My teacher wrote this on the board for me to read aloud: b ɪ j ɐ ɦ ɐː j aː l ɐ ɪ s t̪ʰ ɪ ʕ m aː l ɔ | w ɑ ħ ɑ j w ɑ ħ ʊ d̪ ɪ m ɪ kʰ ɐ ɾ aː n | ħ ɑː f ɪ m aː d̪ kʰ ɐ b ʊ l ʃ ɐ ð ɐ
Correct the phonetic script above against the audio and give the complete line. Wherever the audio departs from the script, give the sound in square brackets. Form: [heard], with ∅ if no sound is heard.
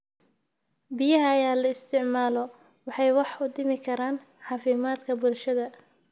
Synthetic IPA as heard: b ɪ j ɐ ɦ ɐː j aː l ɐ ɪ s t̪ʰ ɪ ʕ m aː l ɔ | w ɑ ħ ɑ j w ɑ ħ ʊ d̪ ɪ m ɪ kʰ ɐ ɾ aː n | ħ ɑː f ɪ m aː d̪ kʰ ɐ b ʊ l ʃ ɐ ð ɐ